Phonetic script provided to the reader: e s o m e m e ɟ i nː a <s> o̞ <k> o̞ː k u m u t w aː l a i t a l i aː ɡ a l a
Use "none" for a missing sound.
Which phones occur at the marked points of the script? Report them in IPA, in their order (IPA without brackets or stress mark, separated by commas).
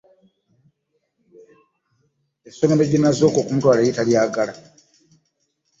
z, k